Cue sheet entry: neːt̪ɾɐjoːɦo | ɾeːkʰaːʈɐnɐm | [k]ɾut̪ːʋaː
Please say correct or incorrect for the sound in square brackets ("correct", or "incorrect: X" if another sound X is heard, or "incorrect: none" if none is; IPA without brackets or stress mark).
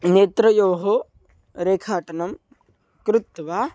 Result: correct